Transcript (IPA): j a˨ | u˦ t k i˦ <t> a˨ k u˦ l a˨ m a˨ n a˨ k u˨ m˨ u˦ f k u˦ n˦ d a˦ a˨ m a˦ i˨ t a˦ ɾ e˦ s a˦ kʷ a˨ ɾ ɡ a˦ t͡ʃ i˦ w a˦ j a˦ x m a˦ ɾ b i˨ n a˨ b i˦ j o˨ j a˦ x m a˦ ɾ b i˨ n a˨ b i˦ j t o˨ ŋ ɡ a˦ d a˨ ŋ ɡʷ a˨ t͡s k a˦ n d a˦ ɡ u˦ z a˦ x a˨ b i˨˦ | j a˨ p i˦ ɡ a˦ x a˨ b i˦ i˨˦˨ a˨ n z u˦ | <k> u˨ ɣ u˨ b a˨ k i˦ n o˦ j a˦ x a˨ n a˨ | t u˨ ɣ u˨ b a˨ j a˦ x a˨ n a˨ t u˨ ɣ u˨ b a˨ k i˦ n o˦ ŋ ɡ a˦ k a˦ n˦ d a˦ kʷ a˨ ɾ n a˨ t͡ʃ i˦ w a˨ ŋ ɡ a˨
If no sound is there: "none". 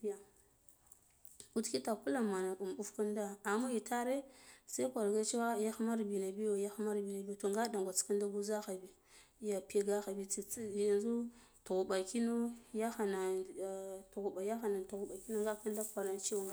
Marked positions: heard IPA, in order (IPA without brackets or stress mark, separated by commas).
t, t